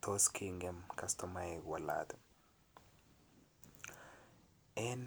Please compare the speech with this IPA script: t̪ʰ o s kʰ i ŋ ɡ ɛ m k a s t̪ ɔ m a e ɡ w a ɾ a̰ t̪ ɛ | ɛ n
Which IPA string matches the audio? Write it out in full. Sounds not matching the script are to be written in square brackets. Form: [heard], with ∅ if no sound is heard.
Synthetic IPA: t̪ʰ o s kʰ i ŋ ɡ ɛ m k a s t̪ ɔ m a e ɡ w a [l] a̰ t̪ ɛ | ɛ n